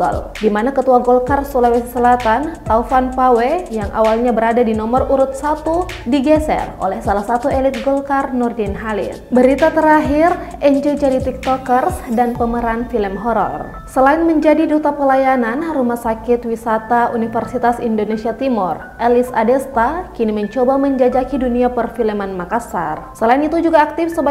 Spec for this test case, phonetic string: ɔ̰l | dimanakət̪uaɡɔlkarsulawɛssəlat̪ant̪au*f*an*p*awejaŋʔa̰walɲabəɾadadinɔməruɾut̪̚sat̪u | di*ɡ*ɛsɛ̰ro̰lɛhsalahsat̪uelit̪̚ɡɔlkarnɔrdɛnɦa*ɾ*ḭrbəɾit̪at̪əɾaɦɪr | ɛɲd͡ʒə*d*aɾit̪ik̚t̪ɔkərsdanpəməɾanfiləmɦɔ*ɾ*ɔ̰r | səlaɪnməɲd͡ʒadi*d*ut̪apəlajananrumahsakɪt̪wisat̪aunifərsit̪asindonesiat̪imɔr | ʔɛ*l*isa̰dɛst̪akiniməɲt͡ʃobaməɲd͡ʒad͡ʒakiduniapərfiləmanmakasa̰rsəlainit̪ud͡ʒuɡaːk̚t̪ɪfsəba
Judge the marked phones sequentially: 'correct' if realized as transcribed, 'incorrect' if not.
correct, correct, correct, incorrect, incorrect, correct, correct, correct

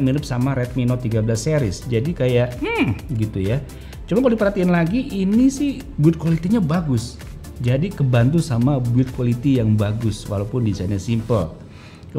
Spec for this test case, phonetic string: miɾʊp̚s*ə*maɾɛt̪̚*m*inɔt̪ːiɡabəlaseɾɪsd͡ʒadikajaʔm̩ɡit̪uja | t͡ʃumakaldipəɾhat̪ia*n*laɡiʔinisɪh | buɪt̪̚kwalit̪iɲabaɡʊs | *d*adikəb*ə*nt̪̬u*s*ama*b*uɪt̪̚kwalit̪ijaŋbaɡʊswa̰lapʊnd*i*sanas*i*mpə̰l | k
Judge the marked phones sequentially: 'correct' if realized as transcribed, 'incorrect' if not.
incorrect, correct, correct, incorrect, incorrect, correct, correct, correct, correct

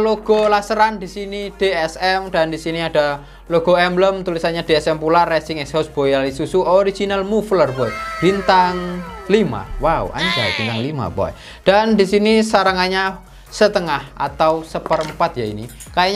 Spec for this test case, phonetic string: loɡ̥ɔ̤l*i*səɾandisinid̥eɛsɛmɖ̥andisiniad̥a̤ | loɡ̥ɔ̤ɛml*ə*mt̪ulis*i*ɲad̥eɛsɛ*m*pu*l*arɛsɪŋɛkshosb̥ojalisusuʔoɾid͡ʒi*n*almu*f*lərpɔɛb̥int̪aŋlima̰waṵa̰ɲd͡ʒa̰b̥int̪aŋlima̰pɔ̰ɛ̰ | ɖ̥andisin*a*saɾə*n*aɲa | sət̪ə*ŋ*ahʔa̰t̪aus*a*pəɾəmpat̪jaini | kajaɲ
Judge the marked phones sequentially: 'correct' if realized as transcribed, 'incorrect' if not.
incorrect, correct, incorrect, correct, correct, correct, correct, incorrect, incorrect, correct, incorrect

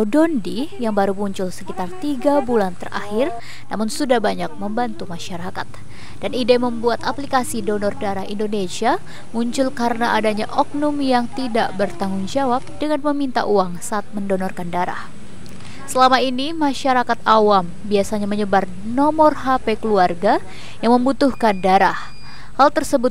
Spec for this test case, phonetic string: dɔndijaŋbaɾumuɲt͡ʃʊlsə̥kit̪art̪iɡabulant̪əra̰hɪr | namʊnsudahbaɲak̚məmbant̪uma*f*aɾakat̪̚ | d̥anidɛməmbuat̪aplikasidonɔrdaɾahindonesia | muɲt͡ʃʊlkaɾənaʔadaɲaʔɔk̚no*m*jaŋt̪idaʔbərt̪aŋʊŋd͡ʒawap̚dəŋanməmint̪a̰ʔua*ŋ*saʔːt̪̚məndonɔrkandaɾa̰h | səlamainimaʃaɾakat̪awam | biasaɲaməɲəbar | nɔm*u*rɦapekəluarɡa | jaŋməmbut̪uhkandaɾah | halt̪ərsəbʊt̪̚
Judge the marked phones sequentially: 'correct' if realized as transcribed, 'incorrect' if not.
incorrect, correct, correct, incorrect

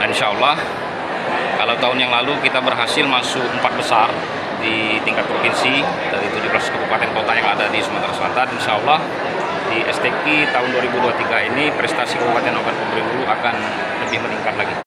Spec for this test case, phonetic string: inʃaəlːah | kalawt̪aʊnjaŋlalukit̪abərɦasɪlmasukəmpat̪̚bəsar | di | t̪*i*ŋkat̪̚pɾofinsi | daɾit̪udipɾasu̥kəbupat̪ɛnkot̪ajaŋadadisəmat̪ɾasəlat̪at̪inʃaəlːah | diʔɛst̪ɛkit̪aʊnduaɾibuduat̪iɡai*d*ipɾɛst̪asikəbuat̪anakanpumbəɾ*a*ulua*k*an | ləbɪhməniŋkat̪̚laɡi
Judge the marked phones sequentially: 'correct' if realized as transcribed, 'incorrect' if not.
correct, incorrect, incorrect, correct

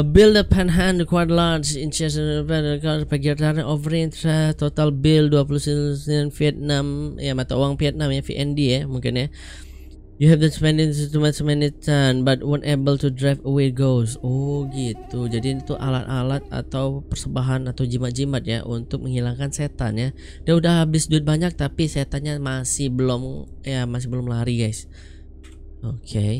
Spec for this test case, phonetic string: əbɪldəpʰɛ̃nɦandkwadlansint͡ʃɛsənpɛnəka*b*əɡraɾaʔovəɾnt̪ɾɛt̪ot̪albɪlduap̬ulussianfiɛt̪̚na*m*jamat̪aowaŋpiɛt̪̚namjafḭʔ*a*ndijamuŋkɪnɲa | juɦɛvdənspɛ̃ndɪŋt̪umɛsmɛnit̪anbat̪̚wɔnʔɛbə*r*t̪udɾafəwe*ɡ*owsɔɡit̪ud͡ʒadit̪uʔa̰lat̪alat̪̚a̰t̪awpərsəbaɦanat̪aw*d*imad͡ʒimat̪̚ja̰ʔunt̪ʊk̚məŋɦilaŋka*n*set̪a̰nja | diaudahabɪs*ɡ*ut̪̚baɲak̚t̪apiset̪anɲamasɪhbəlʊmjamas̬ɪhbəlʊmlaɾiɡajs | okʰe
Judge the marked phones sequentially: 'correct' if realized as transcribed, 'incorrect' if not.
incorrect, correct, incorrect, incorrect, correct, incorrect, correct, incorrect

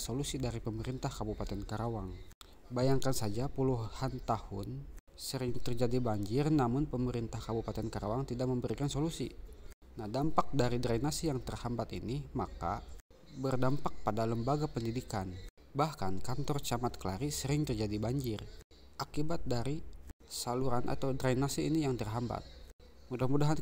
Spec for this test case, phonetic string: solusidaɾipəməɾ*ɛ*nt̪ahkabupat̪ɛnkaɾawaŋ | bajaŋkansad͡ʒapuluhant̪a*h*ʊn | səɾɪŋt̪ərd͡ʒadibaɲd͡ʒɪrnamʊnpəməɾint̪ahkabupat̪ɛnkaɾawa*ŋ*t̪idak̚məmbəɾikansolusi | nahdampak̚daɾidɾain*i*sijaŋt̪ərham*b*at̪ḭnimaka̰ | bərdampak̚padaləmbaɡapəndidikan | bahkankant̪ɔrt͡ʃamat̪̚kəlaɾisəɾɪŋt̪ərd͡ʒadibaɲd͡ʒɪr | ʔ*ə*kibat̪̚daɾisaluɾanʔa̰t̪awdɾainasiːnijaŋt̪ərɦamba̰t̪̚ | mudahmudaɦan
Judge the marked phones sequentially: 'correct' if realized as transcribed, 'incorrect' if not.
incorrect, correct, correct, incorrect, correct, incorrect

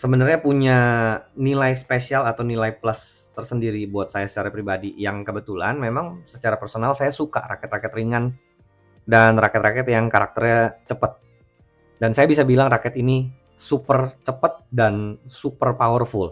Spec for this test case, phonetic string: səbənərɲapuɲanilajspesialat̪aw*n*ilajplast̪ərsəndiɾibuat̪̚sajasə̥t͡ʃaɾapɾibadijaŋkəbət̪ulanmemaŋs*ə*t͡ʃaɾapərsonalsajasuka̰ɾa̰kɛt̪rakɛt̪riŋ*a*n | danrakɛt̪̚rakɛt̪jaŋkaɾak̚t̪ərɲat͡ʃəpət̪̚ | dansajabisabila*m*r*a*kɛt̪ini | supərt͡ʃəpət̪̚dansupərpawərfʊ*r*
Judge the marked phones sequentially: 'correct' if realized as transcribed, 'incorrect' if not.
correct, correct, correct, incorrect, correct, incorrect

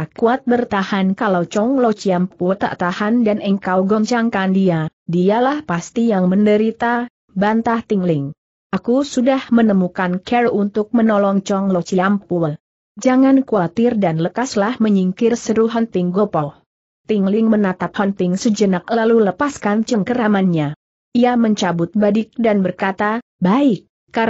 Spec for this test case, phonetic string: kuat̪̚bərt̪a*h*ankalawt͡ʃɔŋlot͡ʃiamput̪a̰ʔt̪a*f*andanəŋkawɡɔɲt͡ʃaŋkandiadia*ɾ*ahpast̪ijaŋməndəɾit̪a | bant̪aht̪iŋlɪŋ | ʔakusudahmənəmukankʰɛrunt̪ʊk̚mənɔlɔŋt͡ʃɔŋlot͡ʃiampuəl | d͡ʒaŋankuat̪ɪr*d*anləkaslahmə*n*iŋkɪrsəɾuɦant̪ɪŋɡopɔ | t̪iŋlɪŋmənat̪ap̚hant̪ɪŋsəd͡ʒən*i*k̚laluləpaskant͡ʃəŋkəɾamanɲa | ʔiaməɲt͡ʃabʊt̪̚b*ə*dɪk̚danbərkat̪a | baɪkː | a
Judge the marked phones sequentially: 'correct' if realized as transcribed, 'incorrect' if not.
correct, incorrect, incorrect, correct, incorrect, incorrect, incorrect

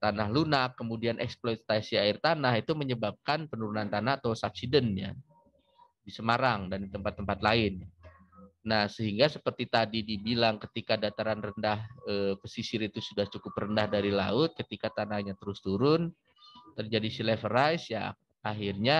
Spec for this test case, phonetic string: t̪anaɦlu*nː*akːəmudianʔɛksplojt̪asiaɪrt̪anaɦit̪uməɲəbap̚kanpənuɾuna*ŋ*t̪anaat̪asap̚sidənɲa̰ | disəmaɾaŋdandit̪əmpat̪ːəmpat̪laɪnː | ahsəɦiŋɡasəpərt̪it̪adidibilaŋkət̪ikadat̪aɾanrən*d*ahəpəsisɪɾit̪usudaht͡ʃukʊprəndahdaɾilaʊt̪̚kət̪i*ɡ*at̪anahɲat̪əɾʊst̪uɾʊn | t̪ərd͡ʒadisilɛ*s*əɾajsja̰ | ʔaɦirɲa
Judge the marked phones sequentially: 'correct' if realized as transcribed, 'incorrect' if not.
incorrect, incorrect, correct, incorrect, incorrect

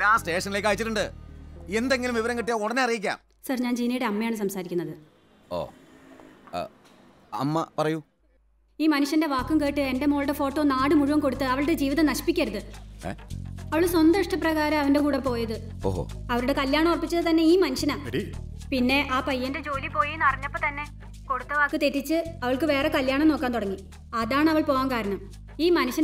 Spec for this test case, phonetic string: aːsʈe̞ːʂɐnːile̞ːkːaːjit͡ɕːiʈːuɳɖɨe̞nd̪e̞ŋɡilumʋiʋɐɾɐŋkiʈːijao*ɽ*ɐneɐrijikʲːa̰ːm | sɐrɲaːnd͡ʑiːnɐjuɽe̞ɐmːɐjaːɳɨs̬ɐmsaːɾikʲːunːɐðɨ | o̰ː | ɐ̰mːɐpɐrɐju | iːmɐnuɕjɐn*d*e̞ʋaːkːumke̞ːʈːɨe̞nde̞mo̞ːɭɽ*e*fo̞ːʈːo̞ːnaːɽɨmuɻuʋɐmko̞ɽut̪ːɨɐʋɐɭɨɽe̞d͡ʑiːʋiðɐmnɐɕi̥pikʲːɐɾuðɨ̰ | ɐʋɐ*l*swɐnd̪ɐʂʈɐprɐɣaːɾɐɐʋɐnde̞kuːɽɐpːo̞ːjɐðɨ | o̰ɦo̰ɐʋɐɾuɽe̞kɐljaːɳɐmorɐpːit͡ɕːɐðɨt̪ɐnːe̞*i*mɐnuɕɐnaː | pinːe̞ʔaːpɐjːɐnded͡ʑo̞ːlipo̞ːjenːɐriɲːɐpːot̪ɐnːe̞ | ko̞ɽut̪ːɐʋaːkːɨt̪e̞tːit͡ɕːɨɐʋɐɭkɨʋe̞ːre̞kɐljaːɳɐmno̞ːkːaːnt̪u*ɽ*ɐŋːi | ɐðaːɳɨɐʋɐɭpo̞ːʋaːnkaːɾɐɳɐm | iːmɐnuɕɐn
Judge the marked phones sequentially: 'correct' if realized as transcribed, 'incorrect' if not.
correct, correct, correct, incorrect, incorrect, correct

